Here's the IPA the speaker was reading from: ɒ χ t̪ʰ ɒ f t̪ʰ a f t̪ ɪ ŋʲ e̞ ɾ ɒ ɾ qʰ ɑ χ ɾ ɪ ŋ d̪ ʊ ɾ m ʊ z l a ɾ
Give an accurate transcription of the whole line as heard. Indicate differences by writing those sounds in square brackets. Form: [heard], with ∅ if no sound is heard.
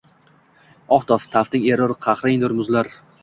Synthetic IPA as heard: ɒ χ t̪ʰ ɒ f t̪ʰ a f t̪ ɪ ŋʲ e̞ ɾ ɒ ɾ qʰ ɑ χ ɾ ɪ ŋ d̪ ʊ ɾ m ʊ z l a ɾ